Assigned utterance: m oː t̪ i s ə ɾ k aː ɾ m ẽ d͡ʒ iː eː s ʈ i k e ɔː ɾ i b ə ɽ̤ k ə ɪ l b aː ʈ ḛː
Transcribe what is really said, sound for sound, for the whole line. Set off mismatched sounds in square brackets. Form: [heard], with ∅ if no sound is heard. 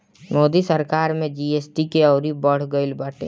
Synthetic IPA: m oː [d̪] i s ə ɾ k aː ɾ m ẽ d͡ʒ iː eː s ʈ i k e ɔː ɾ i b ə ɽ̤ [ɡ] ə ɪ l b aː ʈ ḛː